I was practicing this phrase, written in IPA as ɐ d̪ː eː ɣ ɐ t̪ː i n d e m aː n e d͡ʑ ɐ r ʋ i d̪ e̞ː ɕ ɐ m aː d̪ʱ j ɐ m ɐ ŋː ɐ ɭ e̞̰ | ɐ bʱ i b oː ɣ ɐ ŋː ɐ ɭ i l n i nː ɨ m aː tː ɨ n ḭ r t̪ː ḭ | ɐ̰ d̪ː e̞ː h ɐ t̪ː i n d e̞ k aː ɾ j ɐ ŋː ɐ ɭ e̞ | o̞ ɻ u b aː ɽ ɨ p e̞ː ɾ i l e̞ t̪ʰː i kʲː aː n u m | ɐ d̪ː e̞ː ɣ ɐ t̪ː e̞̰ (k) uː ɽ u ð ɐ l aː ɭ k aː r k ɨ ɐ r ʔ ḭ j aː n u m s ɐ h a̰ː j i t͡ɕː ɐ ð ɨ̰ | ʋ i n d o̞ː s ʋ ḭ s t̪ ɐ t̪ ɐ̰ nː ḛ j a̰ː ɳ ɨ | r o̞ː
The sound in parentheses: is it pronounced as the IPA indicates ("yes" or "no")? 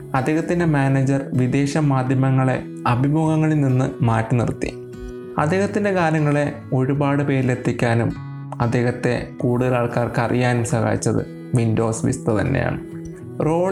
yes